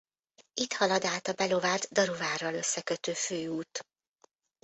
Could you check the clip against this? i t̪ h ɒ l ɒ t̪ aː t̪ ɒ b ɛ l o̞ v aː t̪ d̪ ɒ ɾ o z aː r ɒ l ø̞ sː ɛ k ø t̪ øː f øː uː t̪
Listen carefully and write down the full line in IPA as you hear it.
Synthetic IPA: i t̪ h ɒ l ɒ d̪ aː t̪ ɒ b ɛ l o̞ v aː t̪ d̪ ɒ ɾ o v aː r ɒ l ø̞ sː ɛ k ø t̪ øː f øː uː t̪